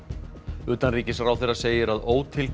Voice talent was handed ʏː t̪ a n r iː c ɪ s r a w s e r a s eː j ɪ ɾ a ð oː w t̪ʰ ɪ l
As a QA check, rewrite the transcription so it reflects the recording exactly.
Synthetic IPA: ʏː t̪ a n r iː c ɪ s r a w θ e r a s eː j ɪ ɾ a ð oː w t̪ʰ ɪ l